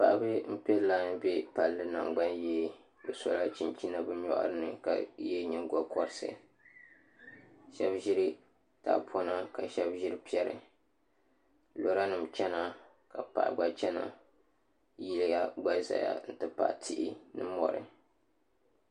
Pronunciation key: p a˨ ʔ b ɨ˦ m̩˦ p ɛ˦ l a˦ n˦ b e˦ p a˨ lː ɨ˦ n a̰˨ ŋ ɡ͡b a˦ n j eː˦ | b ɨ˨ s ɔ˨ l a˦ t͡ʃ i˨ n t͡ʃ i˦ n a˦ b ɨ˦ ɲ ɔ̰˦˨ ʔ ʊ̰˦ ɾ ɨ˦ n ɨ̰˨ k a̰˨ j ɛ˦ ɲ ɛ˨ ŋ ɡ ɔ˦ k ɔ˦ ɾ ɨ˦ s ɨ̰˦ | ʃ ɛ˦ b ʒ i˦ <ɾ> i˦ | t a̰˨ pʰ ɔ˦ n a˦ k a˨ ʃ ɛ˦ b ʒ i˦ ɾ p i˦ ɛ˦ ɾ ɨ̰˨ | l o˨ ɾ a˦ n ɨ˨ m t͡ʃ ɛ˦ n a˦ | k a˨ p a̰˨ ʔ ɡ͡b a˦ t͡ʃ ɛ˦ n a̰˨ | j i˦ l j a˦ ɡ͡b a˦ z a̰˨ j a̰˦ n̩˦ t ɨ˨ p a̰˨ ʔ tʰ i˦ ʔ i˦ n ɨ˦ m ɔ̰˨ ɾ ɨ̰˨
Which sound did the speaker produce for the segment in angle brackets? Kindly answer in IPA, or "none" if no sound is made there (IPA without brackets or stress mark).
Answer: ɾ